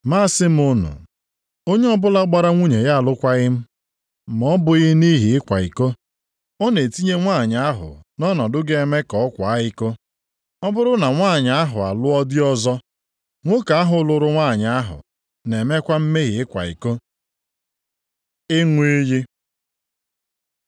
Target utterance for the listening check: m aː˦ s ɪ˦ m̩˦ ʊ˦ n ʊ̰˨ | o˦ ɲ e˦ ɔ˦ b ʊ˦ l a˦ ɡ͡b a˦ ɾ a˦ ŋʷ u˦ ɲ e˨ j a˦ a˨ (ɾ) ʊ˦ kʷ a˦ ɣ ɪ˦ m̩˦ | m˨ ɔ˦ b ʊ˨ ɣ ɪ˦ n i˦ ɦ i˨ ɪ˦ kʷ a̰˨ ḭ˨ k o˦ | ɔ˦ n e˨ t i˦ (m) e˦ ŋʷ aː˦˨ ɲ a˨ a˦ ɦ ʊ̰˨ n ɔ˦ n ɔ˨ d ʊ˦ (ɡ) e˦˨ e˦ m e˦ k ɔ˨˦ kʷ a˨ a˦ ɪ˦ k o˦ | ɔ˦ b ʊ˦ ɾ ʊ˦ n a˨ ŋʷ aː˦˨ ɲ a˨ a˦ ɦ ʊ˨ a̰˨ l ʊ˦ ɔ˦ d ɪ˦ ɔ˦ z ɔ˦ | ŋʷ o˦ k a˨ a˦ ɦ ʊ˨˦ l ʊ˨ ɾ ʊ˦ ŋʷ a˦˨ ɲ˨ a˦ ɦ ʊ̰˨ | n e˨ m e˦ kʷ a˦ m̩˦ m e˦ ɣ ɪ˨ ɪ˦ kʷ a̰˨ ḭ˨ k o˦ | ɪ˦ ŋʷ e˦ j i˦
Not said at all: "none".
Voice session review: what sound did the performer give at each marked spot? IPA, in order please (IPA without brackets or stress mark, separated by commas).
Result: l, ɲ, ɡ